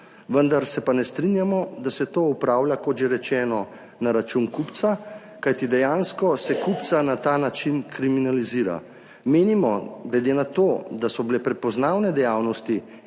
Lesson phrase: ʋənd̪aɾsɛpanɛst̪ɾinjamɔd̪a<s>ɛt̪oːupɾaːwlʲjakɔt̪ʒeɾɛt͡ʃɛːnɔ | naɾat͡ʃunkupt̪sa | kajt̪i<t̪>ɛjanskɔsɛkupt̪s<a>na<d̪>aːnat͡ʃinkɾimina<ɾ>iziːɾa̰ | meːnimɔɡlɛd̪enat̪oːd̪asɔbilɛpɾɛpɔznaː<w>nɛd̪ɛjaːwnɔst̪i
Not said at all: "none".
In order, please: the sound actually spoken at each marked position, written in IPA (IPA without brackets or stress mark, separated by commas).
s, d̪, a, t̪, l, w